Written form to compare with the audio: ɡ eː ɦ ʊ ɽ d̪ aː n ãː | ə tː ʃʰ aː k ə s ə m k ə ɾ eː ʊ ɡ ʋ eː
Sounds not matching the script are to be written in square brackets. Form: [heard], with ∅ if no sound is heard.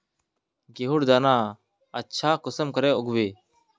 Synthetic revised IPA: ɡ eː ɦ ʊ ɽ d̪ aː n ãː | ə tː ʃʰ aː k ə s ə m k ə ɾ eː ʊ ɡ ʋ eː